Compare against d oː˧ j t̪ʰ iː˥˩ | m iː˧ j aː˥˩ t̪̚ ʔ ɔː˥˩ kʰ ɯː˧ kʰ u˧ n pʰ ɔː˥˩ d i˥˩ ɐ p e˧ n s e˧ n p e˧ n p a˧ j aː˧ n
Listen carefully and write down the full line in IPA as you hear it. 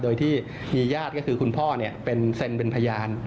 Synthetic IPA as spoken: d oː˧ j t̪ʰ iː˥˩ | m iː˧ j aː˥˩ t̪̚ k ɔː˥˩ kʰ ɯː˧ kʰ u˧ n pʰ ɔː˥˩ n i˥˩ ɐ p e˧ n s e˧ n p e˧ n pʰ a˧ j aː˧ n